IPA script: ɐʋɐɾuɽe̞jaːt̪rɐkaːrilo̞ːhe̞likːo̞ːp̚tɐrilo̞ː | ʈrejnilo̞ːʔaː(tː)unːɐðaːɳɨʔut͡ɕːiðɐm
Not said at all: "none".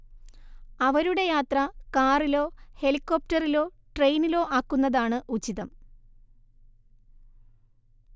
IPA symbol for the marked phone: kː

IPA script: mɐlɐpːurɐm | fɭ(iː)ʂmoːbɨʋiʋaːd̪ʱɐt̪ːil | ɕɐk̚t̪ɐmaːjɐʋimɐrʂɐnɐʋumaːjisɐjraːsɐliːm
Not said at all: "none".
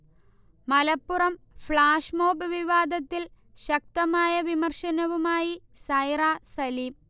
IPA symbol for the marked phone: aː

